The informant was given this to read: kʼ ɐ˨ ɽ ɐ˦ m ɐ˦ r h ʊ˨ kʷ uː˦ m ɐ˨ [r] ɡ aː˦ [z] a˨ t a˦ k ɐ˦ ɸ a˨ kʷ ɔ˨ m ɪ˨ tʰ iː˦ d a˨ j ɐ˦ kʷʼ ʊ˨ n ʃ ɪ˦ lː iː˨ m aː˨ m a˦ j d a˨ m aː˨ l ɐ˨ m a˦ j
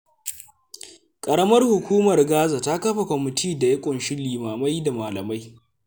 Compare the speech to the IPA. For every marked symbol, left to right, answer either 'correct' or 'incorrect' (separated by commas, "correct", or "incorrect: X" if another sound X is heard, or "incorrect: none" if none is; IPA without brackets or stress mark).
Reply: correct, correct